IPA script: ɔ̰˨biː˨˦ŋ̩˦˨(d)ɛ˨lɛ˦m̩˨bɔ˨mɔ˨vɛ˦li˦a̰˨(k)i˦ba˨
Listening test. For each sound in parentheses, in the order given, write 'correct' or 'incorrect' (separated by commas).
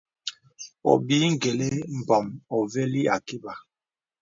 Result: incorrect, correct